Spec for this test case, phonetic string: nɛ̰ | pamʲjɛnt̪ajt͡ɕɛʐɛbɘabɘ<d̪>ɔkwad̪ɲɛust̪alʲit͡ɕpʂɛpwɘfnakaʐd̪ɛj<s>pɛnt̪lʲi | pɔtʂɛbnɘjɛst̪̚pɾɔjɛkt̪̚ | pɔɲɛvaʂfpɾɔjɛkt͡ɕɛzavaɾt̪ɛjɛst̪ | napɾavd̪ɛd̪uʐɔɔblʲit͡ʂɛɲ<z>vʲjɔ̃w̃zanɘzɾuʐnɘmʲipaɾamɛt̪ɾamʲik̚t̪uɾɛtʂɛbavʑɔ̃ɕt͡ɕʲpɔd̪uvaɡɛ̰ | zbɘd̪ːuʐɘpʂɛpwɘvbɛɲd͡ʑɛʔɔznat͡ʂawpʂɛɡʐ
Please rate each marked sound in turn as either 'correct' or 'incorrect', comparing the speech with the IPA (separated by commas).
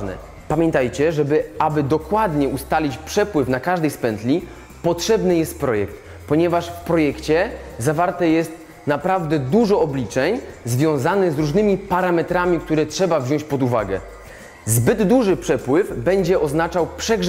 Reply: correct, correct, correct